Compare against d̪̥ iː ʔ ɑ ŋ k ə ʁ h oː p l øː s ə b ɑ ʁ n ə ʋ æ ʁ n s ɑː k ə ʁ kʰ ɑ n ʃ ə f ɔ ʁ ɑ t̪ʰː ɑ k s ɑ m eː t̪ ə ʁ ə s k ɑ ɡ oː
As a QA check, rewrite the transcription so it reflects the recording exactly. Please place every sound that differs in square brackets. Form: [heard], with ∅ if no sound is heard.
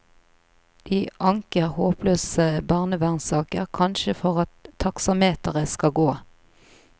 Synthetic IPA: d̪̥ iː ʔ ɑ ŋ k ə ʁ h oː p l øː s ə b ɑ ʁ n ə ʋ æ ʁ n s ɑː k ə ʁ kʰ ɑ n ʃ ə f ɔ ʁ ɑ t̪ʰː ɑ k s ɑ m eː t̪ ə ʁ ə s k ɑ ɡ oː